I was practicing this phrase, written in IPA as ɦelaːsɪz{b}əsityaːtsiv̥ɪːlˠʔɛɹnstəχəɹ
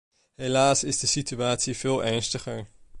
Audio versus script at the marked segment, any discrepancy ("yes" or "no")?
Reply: yes